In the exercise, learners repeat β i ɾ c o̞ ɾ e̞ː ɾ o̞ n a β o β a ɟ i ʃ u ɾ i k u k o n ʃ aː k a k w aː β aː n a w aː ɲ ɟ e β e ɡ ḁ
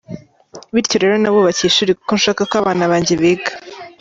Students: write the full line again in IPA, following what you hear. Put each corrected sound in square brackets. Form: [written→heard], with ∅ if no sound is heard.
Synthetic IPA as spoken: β i ɾ c o̞ ɾ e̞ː ɾ o̞ n a β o β a [ɟ→c] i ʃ u ɾ i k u k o n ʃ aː k a k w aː β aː n a [w→β] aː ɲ ɟ e β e ɡ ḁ